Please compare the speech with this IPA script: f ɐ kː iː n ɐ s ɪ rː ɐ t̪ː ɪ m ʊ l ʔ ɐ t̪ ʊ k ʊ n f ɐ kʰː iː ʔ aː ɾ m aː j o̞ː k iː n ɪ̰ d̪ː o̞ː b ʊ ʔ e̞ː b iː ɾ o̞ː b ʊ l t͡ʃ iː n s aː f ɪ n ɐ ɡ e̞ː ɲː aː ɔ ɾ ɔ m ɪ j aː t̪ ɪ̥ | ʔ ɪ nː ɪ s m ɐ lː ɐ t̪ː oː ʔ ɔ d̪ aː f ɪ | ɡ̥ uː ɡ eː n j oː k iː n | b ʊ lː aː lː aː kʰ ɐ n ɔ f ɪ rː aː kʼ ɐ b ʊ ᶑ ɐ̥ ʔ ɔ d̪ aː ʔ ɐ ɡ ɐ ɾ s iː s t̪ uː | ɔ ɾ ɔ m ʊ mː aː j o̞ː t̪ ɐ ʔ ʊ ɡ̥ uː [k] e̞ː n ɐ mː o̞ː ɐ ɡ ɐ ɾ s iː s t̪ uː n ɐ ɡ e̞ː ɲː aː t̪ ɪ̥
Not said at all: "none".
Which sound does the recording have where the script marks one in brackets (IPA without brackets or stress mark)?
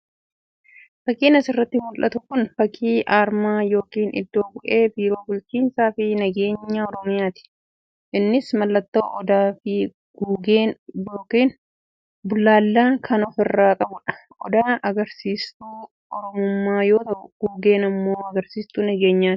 ɡ